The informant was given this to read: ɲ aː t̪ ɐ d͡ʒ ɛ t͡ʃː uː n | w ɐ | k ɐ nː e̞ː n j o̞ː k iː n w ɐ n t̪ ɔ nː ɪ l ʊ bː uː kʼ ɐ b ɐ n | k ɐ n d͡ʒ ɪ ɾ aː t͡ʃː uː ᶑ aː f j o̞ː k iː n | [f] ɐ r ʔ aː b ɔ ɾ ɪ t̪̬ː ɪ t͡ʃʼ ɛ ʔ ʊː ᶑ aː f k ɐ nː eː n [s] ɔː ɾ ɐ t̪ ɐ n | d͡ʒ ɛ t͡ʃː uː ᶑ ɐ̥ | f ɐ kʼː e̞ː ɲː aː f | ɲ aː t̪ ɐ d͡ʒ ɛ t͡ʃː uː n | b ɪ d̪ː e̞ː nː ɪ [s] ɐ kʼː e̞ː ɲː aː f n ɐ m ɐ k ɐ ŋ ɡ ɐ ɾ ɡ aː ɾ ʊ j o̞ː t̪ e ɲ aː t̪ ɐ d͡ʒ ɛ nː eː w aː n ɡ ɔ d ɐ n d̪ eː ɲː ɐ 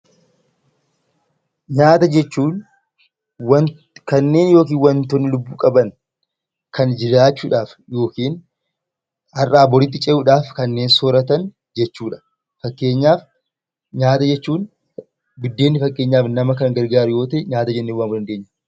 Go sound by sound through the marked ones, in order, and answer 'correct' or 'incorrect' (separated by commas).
incorrect, correct, incorrect